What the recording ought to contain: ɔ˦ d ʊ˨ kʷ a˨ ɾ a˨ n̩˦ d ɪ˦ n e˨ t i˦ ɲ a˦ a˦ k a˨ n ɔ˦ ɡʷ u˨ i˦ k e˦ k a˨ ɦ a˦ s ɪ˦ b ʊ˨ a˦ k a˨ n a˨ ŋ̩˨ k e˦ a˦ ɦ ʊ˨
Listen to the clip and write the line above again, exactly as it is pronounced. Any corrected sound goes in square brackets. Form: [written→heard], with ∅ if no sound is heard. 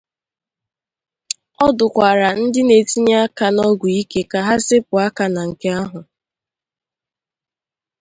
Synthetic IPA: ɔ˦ d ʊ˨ kʷ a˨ ɾ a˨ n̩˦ d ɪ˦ n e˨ t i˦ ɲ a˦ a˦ k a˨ n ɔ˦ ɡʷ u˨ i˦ k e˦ k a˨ ɦ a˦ s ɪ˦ [b→p] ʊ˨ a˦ k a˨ n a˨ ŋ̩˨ k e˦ a˦ ɦ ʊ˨